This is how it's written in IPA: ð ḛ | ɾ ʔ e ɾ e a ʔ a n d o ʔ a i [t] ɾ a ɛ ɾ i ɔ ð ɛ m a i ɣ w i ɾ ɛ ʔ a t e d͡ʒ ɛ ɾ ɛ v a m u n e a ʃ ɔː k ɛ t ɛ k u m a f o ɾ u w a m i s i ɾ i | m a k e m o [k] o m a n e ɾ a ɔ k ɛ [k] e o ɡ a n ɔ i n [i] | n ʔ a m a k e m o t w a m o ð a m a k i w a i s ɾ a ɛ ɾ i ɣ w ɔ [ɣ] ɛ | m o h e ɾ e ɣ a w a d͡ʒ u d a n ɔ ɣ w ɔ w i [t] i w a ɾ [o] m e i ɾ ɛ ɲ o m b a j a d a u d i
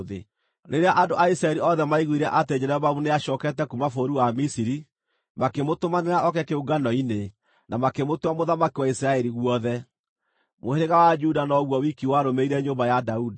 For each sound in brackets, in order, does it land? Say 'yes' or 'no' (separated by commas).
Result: no, no, yes, no, no, no, yes